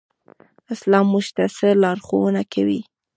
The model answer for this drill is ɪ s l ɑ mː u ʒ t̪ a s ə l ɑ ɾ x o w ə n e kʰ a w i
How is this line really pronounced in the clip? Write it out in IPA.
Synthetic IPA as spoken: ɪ s l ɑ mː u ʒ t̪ a s ə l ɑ ɾ x o w ə n a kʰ a w i